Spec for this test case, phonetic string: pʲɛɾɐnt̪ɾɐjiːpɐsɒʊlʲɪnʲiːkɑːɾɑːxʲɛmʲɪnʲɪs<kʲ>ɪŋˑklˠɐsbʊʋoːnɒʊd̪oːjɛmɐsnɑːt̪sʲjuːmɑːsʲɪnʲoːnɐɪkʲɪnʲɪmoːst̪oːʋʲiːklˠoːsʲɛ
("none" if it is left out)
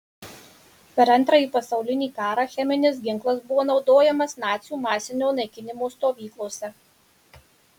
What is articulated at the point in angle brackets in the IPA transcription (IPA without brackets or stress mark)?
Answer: ɡʲ